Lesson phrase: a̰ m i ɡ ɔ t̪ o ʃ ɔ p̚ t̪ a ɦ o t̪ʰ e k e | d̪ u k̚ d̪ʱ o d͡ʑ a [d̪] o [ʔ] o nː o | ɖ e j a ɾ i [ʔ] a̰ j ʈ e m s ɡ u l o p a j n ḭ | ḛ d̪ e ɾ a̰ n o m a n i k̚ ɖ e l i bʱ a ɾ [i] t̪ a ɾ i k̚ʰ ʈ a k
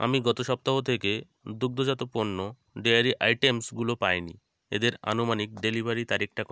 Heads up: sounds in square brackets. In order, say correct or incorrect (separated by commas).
incorrect, incorrect, correct, correct